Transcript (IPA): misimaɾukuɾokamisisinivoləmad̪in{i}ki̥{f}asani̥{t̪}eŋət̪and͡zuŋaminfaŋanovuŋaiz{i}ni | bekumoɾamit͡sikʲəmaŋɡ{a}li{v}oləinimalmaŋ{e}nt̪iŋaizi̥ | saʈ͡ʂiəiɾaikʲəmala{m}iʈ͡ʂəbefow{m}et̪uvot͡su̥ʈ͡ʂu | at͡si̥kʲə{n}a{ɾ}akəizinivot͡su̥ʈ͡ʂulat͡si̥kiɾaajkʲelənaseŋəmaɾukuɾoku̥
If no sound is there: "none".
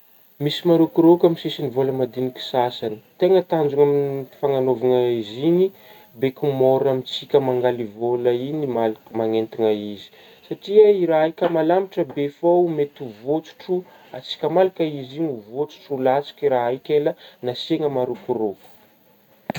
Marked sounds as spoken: i, s, t̪, i, a, v, e, m, m, m, l

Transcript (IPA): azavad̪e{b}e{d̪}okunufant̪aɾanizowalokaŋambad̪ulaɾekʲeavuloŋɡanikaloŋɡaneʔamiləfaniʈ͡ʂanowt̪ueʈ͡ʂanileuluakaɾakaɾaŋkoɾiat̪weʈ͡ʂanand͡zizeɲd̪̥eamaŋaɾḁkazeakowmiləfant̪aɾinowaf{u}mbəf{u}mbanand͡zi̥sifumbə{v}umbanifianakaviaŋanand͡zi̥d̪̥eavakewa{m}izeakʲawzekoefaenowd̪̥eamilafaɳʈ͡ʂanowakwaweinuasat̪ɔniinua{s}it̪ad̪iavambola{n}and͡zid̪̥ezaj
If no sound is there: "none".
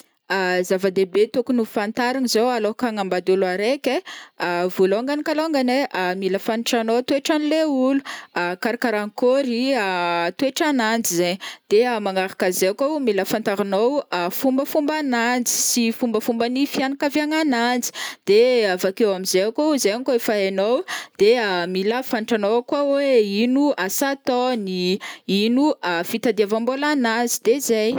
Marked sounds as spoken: b, t̪, u, u, f, m, f, n

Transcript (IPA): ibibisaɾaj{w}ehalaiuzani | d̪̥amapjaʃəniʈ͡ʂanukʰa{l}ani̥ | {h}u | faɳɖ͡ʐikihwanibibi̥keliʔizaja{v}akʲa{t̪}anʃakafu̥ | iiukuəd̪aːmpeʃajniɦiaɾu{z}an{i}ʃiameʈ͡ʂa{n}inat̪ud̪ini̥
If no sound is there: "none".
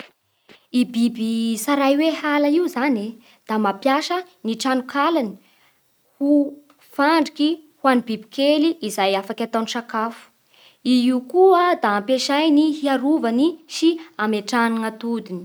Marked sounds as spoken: w, l, h, f, t̪, v, i, n

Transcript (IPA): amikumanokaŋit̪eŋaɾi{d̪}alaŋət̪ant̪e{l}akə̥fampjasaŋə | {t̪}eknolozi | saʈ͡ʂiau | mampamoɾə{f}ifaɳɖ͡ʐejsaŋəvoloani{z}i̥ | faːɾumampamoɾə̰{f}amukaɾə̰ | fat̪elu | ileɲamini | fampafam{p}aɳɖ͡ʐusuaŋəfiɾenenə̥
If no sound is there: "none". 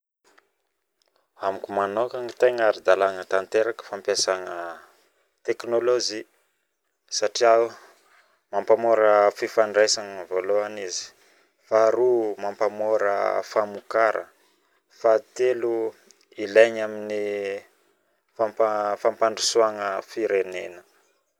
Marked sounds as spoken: d̪, ɾ, t̪, f, z, f, p

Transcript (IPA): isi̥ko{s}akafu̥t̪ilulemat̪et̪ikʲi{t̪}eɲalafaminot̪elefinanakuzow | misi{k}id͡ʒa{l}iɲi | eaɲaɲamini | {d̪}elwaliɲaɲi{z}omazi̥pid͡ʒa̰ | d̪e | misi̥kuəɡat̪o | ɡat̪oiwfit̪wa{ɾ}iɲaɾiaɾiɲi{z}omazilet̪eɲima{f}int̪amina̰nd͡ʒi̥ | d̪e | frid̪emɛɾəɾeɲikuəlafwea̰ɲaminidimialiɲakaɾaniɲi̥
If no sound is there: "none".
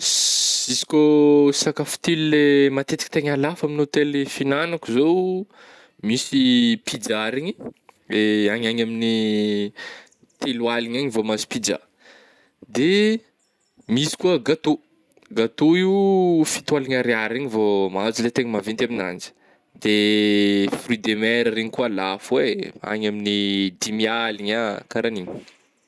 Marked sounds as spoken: s, t̪, p, ɾ, t̪, v, l, v, v

